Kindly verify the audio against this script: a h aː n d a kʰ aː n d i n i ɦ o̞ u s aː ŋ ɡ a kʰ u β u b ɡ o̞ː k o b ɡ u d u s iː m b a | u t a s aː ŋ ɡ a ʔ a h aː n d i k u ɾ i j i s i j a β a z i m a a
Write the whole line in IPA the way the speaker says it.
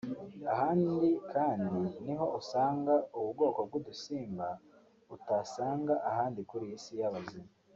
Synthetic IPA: a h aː n d i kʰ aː n d i n i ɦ o̞ u s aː ŋ ɡ a u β u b ɡ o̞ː k o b ɡ u d u s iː m b a | u t a s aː ŋ ɡ a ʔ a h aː n d i k u ɾ i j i s i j a β a z i m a a